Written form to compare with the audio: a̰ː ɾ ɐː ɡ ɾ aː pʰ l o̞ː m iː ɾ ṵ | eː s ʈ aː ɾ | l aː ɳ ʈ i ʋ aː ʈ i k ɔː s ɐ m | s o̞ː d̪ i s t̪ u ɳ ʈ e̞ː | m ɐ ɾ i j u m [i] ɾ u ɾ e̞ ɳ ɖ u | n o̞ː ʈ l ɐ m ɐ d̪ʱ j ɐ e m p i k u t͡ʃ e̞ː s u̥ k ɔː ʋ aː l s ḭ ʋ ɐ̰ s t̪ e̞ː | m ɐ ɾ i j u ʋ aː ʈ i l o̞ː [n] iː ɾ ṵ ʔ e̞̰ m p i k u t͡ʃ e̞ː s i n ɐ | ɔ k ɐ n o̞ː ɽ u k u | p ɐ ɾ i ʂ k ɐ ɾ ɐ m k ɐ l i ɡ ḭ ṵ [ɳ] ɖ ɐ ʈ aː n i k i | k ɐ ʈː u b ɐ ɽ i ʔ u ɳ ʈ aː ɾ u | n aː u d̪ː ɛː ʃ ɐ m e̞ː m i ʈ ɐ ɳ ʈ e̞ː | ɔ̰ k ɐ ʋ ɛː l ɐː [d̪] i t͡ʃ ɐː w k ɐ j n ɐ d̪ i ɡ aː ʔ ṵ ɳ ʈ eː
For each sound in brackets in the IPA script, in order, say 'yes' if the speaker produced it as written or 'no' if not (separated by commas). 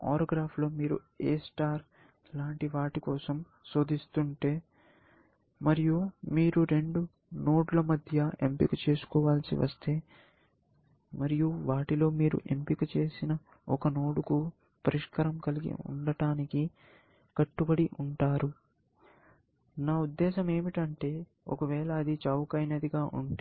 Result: no, no, yes, yes